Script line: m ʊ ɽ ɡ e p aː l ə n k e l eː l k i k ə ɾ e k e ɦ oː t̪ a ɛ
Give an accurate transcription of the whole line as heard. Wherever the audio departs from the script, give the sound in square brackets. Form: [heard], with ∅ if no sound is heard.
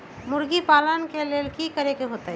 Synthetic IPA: m ʊ [ɾ] ɡ [i] p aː l ə n k e l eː l k i k ə ɾ e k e ɦ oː t̪ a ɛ